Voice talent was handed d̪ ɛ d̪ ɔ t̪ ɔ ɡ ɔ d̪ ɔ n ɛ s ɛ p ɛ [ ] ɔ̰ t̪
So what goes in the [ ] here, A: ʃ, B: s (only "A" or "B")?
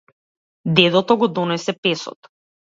B